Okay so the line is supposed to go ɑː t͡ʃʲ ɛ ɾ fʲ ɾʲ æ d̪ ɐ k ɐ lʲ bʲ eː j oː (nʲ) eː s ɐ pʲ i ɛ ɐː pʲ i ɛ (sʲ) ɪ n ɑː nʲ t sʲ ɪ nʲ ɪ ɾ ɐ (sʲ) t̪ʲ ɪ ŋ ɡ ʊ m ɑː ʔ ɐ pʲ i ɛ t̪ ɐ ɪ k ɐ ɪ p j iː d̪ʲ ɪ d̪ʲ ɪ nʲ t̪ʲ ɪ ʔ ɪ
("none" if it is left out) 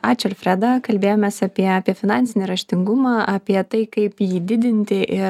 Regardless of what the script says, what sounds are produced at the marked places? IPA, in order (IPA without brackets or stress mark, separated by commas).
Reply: mʲ, fʲ, ʃʲ